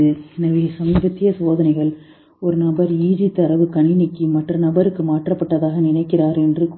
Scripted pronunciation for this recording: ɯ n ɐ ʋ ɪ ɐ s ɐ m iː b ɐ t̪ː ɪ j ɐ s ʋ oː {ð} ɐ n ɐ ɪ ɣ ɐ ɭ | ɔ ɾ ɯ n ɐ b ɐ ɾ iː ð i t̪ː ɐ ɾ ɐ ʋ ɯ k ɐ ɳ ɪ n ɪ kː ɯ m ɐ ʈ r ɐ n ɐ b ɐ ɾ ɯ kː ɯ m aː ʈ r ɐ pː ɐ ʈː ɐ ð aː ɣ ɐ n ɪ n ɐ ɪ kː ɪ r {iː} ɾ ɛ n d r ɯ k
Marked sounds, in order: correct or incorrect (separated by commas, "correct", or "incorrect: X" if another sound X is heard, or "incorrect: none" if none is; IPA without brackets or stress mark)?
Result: correct, incorrect: aː